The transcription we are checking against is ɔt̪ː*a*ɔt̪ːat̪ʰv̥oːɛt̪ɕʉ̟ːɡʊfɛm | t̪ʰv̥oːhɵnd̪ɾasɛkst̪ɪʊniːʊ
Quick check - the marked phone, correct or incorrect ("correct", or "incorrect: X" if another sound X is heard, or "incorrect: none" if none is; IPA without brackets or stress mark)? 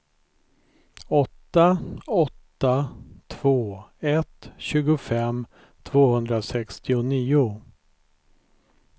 correct